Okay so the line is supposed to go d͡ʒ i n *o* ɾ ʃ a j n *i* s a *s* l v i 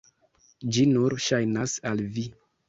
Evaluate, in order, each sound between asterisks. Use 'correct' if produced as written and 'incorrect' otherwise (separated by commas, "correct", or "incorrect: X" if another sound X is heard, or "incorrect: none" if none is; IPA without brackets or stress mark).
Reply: incorrect: u, incorrect: a, incorrect: none